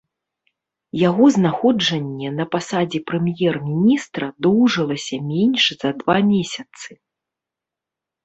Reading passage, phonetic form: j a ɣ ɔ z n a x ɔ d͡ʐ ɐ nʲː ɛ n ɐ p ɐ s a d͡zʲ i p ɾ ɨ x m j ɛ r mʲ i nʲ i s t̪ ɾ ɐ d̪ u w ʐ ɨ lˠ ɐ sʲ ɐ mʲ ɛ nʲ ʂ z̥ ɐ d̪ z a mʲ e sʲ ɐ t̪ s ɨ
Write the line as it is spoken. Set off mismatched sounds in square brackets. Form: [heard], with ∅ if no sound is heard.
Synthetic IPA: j a ɣ ɔ z n a x ɔ d͡ʐ ɐ nʲː ɛ n ɐ p [a] s a d͡zʲ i p ɾ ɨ [∅] m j ɛ r mʲ i nʲ i s t̪ ɾ ɐ d̪ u w ʐ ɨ lˠ ɐ sʲ ɐ mʲ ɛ nʲ ʂ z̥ ɐ d̪ [v] a mʲ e sʲ ɐ t̪ s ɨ